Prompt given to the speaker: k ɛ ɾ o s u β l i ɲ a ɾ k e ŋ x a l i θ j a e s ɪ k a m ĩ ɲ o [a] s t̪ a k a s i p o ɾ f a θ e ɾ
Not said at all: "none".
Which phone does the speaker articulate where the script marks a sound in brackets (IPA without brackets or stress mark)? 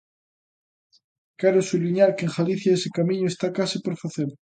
e